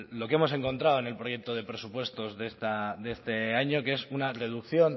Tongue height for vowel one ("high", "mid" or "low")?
mid